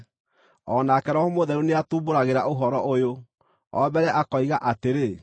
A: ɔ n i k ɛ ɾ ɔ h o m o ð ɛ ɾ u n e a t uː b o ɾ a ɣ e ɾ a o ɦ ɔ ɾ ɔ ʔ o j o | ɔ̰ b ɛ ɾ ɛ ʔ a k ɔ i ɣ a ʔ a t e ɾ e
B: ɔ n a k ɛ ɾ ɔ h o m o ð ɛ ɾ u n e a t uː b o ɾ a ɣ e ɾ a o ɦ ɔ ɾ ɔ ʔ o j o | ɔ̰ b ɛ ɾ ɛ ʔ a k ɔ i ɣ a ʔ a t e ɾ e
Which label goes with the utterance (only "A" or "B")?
B